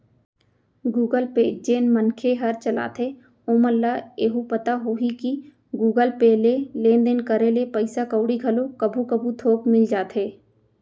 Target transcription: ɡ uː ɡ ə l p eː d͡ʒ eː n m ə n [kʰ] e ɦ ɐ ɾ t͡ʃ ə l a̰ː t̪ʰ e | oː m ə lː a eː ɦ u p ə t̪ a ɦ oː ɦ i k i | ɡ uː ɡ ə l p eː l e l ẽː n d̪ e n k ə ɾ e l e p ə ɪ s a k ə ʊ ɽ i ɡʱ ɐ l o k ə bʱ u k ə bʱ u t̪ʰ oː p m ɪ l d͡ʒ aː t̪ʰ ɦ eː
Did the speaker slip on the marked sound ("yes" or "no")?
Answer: no